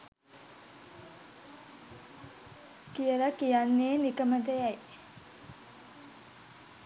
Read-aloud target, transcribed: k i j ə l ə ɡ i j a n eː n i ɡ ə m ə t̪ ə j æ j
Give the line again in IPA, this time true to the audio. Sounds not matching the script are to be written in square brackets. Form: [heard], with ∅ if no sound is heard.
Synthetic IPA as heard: k i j ə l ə [k] i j a [nː] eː n i [k] ə m ə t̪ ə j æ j